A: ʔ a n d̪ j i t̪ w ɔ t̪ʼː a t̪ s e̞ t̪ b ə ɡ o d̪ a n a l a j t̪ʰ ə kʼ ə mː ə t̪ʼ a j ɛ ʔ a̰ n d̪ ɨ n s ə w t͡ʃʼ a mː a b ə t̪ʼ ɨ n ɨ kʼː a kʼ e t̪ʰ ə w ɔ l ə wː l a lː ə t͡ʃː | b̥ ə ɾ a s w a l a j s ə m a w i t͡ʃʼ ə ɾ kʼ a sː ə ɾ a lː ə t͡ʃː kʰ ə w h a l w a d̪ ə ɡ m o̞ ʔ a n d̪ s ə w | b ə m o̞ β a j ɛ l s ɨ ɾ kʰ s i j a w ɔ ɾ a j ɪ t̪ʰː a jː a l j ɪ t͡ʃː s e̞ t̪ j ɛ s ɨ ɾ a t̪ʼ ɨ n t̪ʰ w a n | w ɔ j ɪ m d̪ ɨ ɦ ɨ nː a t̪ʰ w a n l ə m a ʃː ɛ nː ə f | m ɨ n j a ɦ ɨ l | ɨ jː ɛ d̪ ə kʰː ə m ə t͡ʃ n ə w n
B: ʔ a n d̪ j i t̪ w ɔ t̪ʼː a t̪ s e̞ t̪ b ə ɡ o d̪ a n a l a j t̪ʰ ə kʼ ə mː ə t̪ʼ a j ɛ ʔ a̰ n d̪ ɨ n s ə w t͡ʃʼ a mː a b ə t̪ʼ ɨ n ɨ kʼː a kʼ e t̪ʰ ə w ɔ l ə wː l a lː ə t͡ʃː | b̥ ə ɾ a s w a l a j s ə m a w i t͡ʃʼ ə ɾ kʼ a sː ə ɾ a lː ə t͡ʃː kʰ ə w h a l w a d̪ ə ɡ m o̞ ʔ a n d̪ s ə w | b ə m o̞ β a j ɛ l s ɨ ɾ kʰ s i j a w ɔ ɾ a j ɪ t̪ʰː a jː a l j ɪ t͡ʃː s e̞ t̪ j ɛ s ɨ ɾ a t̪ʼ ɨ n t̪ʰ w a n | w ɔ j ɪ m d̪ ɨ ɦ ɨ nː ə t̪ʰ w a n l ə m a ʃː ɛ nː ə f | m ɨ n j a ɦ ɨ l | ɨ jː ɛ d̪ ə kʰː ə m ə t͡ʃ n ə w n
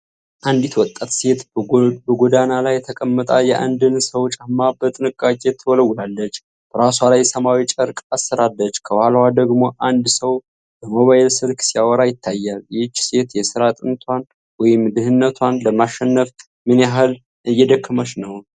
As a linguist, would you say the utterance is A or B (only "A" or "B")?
B